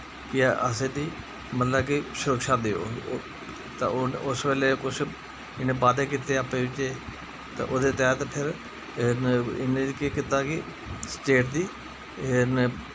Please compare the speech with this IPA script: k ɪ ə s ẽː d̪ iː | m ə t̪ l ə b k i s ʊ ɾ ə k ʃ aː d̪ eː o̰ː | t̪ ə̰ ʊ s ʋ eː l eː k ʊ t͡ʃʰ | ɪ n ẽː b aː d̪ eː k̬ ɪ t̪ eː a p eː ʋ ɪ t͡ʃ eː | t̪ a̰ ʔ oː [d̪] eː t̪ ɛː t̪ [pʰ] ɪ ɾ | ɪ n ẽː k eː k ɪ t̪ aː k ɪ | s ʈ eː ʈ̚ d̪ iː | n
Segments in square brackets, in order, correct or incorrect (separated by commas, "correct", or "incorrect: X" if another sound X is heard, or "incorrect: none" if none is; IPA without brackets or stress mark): correct, correct